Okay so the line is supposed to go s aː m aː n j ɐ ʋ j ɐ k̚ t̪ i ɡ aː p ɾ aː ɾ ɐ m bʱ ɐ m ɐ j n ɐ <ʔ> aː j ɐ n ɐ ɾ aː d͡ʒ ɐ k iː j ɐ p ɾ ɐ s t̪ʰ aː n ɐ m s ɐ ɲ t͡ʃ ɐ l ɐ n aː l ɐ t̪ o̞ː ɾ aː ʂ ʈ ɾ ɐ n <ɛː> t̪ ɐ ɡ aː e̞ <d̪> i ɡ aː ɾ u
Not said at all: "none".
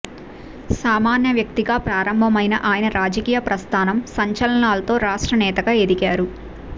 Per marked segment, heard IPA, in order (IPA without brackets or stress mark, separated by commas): ʔ, ɛː, d̪